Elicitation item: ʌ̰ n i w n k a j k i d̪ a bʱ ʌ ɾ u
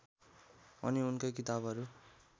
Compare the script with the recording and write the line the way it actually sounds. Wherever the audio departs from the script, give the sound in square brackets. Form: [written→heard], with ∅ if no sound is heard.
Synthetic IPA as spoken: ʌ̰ n i [w→u] n k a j k i [d̪→t̪] a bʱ ʌ ɾ u